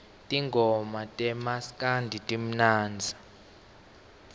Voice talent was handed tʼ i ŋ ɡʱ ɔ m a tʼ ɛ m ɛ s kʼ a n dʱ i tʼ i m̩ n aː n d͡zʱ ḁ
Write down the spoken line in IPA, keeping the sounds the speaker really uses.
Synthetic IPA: tʼ i ŋ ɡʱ ɔ m a tʼ ɛ m a s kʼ a n dʱ i tʼ i m̩ n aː n d͡zʱ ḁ